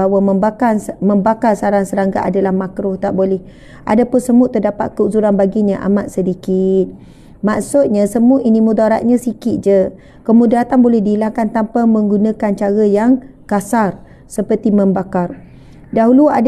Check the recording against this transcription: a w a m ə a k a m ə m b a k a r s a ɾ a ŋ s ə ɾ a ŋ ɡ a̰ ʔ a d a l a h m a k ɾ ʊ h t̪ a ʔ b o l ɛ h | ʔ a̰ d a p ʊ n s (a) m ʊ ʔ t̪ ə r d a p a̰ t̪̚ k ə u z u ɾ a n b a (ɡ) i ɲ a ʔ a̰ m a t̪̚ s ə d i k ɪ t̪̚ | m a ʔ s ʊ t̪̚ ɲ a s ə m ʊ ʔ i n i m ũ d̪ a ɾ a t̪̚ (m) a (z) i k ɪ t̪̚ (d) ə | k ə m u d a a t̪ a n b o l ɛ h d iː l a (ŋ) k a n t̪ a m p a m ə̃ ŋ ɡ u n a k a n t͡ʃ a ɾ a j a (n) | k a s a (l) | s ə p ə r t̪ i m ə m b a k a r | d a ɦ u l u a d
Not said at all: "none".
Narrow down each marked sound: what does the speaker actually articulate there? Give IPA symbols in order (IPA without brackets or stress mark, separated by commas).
ə, ɡ, ɲ, s, d͡ʒ, ŋ, ŋ, r